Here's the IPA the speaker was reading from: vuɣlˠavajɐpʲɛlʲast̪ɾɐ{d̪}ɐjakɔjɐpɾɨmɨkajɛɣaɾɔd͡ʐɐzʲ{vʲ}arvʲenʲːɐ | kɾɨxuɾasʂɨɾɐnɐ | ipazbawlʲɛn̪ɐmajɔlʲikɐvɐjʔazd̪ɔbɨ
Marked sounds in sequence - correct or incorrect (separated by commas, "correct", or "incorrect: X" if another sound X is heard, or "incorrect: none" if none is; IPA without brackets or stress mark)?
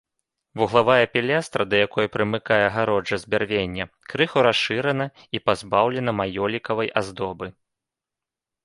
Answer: correct, incorrect: bʲ